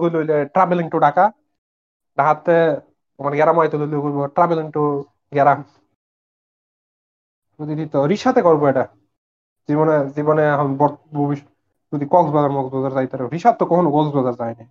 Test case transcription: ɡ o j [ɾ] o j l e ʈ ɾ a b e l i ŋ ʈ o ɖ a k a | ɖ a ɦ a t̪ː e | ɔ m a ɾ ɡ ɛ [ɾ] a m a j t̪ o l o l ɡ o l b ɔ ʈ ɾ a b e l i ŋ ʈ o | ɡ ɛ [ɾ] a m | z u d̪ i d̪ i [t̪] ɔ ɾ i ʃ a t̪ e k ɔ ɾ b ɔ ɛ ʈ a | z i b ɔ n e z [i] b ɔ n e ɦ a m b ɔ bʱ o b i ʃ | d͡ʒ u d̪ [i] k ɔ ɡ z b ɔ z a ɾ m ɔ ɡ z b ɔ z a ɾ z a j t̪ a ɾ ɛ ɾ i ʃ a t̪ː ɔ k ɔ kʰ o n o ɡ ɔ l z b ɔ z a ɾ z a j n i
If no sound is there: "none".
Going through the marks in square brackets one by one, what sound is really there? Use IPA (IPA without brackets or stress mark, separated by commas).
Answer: l, ɾ, ɾ, t̪, i, i